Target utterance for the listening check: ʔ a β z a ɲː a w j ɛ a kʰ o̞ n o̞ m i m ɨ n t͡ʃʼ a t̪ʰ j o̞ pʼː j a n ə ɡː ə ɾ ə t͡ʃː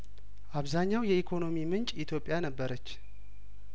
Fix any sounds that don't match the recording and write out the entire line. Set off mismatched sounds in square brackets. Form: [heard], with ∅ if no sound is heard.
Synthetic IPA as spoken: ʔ a β z a ɲː a w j ɛ [i] kʰ o̞ n o̞ m i m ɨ n t͡ʃʼ [i] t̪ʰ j o̞ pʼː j a n ə [bː] ə ɾ ə t͡ʃː